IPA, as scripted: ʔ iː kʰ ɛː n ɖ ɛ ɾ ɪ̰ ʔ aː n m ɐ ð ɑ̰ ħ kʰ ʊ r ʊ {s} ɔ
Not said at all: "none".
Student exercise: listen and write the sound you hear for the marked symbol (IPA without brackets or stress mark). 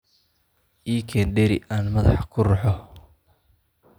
ħ